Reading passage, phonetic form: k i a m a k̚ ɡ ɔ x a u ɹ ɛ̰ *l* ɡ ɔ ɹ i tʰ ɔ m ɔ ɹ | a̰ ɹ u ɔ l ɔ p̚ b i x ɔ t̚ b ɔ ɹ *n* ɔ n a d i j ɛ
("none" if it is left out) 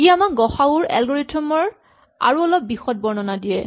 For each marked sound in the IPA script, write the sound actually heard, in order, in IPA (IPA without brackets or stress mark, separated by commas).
l, n